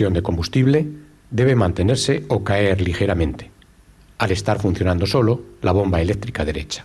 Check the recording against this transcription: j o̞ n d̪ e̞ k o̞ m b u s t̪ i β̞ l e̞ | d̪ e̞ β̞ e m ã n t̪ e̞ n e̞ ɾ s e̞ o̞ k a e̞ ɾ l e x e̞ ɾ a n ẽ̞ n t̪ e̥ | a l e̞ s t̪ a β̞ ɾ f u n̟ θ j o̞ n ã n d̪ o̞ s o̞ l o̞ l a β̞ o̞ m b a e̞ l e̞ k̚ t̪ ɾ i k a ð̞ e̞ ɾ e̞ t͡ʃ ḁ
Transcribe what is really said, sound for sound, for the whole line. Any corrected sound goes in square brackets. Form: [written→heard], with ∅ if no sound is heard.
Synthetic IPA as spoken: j o̞ n d̪ e̞ k o̞ m b u s t̪ i β̞ l e̞ | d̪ e̞ β̞ e m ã n t̪ e̞ n e̞ ɾ s e̞ o̞ k a e̞ ɾ l [e→i] x e̞ ɾ a [n→m] ẽ̞ n t̪ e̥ | a l e̞ s t̪ a [β̞→∅] ɾ f u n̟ θ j o̞ n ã n d̪ o̞ s o̞ l o̞ l a β̞ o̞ m b a e̞ l e̞ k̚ t̪ ɾ i k a ð̞ e̞ ɾ e̞ t͡ʃ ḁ